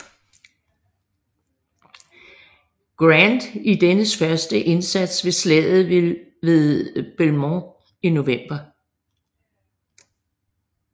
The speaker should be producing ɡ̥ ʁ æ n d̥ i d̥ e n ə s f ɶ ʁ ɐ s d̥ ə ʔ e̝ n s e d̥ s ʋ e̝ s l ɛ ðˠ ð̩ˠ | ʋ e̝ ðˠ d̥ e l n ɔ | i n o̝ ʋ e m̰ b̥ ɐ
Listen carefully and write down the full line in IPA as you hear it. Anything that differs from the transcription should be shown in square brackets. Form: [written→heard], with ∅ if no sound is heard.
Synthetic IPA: ɡ̥ ʁ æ n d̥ i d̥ e n ə s f ɶ [ʁ→∅] ɐ s d̥ ə ʔ e̝ n s [e→æ] d̥ s ʋ e̝ s l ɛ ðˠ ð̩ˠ | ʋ e̝ ðˠ [d̥→b̥] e l [n→m] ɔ | i n o̝ ʋ e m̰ b̥ ɐ